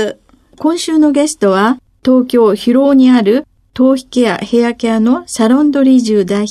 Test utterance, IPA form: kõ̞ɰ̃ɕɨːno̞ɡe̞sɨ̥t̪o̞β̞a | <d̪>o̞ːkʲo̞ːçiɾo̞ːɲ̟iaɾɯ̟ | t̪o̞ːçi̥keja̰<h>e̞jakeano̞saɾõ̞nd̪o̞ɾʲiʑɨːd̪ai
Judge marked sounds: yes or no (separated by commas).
no, yes